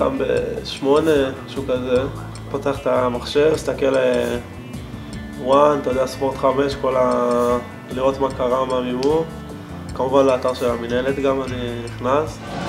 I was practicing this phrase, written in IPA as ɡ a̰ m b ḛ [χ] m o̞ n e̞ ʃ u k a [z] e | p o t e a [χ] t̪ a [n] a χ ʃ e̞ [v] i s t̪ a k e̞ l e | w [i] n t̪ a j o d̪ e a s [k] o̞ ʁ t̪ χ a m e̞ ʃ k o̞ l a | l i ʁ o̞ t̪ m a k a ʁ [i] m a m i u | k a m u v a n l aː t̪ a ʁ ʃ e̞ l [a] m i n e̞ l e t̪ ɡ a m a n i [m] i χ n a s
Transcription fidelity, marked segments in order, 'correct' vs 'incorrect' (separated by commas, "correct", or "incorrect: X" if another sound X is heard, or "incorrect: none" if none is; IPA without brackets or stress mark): incorrect: ʃ, correct, correct, incorrect: m, correct, incorrect: a, incorrect: p, incorrect: a, correct, incorrect: n